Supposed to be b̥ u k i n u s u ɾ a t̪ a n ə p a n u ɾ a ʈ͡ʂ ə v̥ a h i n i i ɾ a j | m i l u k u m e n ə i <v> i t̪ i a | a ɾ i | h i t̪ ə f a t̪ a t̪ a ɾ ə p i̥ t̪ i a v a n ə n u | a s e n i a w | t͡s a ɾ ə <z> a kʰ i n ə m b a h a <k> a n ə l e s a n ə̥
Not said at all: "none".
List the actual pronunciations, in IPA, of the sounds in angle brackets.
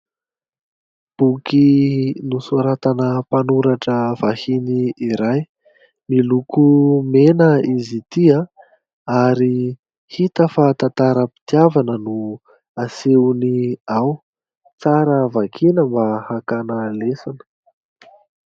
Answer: z, v, k

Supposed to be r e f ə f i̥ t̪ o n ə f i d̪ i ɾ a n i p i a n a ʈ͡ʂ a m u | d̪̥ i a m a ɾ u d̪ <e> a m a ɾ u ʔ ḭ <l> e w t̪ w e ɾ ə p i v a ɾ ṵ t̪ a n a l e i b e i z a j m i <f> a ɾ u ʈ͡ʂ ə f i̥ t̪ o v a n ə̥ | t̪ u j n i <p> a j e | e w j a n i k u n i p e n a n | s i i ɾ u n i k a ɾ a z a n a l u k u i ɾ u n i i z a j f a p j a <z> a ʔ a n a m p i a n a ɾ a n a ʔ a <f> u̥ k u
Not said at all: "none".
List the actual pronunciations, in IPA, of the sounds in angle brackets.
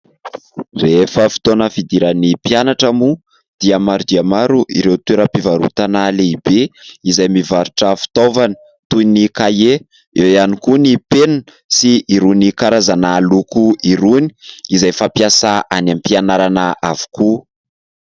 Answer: i, ɾ, v, k, s, v

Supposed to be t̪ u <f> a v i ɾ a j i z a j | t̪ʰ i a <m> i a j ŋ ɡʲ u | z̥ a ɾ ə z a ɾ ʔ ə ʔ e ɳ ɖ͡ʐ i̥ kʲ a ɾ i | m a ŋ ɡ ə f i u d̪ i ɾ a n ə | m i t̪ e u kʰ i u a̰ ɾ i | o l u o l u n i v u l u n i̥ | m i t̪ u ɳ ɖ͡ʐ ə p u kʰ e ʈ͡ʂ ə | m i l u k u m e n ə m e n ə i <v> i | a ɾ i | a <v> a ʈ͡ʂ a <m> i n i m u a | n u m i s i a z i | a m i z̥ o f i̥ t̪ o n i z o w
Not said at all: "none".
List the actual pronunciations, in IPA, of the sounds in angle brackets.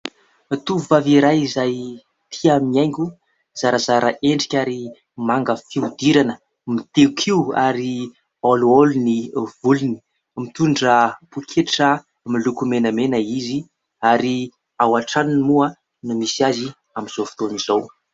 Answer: v, m, z, w, n

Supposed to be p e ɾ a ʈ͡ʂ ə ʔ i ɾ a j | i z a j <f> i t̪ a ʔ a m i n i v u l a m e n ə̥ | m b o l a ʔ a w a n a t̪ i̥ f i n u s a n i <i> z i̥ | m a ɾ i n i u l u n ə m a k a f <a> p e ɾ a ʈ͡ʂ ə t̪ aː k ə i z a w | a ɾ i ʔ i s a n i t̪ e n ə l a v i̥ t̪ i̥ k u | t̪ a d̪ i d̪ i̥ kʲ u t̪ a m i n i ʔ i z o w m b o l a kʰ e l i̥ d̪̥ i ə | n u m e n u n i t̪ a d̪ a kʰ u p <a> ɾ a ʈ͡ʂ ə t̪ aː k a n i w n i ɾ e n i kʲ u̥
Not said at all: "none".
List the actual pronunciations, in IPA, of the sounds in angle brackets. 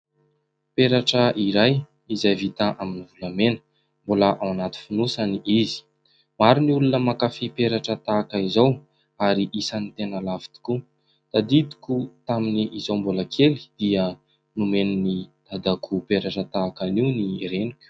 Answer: v, i, i, e

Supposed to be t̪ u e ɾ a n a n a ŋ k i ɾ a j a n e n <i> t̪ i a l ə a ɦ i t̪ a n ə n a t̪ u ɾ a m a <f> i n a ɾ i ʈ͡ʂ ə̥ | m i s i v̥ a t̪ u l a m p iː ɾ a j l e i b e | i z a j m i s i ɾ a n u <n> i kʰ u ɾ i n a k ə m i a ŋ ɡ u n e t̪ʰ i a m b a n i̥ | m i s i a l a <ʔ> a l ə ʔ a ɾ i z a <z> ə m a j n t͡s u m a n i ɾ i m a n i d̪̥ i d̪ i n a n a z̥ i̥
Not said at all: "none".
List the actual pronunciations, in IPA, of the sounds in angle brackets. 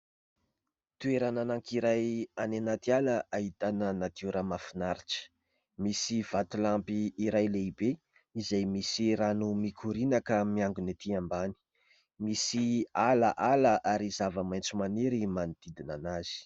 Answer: a, f, m, ʔ, v

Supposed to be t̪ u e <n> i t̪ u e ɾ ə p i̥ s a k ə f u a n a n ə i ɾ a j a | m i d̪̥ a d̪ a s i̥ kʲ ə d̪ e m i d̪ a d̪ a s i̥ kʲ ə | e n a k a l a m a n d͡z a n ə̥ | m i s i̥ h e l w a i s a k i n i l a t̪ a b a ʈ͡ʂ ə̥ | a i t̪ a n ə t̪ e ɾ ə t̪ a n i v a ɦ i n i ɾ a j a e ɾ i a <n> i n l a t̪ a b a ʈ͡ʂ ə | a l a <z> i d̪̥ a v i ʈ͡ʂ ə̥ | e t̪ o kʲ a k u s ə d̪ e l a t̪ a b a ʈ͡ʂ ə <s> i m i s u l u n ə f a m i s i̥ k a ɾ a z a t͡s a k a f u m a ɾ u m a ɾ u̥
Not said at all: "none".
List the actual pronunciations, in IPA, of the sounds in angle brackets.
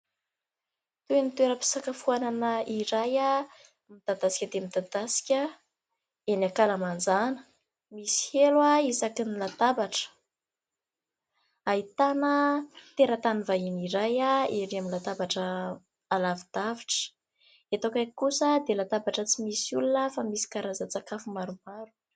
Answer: n, m, v, t͡s

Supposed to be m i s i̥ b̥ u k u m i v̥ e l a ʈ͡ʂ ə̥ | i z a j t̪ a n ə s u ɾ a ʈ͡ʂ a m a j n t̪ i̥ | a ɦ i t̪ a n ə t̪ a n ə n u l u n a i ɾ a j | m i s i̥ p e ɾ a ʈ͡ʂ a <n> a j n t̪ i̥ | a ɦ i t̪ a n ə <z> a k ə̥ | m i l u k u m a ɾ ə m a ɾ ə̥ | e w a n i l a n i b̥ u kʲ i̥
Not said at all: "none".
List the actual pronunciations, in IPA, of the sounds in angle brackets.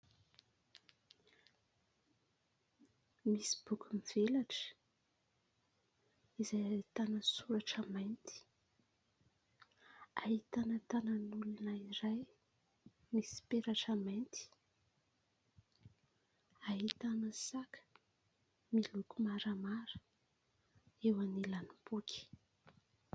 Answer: m, s

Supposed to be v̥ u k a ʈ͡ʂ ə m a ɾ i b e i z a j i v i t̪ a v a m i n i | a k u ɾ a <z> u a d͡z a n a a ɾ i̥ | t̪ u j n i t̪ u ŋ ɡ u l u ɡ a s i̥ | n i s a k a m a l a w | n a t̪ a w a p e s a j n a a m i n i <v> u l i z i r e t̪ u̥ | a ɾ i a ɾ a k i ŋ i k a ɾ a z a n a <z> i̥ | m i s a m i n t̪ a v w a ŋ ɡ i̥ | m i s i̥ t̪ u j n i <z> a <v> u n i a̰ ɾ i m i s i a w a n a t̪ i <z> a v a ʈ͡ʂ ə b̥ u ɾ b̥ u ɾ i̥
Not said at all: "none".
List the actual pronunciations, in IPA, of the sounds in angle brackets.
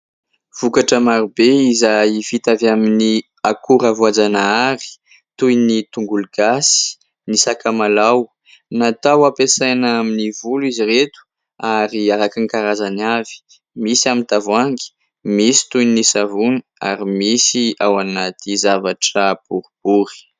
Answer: v, v, v, s, v, z

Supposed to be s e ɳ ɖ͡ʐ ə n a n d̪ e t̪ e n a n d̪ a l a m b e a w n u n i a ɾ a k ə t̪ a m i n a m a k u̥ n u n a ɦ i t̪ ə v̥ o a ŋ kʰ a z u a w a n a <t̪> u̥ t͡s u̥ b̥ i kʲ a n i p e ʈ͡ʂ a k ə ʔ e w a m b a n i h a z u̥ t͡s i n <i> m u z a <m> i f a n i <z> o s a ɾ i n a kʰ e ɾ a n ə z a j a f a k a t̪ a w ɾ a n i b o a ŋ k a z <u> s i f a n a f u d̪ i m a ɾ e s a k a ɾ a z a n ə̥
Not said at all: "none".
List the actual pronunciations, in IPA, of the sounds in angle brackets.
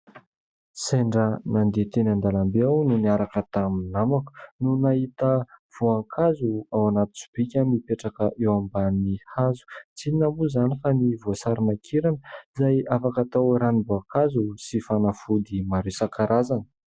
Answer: t̪, a, n, v, u

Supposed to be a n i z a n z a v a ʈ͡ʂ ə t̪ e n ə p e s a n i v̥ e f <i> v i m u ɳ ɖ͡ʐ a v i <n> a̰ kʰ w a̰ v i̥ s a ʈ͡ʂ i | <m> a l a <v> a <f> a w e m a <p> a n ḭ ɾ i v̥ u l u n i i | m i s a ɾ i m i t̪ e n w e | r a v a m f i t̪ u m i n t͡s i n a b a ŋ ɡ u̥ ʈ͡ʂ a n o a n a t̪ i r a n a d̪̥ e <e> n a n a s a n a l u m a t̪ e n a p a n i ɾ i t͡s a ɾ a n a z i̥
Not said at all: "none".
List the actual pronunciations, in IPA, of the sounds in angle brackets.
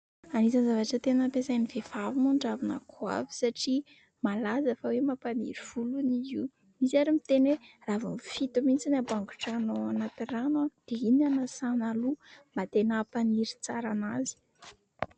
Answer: a, n, m, z, f, p, i

